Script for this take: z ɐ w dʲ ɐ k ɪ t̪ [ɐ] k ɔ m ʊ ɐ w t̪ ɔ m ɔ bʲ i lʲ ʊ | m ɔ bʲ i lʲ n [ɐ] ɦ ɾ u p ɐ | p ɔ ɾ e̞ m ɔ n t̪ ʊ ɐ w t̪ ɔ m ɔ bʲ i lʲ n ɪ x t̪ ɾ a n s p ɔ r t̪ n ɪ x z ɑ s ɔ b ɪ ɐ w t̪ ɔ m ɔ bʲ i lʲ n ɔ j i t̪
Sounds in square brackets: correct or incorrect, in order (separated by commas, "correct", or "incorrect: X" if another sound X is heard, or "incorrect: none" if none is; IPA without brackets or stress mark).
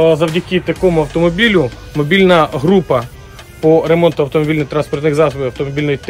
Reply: correct, correct